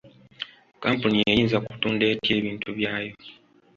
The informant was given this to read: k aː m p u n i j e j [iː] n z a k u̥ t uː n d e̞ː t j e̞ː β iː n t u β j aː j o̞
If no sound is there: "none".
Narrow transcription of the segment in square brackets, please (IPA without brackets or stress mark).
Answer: iː